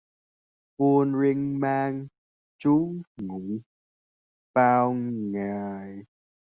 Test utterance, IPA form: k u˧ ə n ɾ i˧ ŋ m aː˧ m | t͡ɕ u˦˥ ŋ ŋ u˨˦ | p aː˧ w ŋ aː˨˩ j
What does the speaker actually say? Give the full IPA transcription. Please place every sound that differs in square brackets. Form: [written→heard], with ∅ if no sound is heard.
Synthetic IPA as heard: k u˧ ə n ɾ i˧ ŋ m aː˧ [m→ŋ] | t͡ɕ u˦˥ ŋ ŋ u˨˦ | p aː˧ w ŋ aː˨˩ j